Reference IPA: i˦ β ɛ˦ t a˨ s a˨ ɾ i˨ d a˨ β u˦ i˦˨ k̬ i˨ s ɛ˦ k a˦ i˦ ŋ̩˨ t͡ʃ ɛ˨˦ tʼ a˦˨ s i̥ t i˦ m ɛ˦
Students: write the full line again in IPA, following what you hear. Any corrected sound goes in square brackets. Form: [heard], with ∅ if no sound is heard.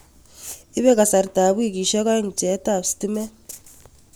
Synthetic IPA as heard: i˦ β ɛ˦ [k] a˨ s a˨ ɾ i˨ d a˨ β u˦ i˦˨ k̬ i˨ [ʃ] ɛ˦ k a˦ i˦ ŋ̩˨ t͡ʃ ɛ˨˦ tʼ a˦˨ s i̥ t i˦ m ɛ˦